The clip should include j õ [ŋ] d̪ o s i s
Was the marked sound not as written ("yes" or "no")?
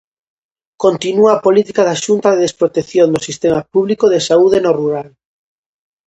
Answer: yes